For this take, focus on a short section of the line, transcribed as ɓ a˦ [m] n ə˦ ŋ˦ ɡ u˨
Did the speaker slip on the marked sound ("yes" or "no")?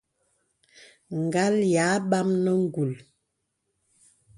no